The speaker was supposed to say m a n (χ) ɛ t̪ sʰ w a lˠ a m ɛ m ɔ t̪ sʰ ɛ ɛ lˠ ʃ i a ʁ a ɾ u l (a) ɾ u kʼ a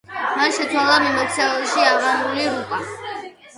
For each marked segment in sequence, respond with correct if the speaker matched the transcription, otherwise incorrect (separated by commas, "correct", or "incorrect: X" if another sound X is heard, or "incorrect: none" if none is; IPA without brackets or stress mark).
incorrect: ʃ, incorrect: i